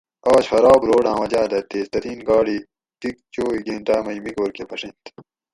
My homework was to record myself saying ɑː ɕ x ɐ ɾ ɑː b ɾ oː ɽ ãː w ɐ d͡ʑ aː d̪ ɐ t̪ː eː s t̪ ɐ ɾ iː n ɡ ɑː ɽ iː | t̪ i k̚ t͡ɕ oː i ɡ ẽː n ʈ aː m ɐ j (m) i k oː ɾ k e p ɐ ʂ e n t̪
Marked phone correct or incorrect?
correct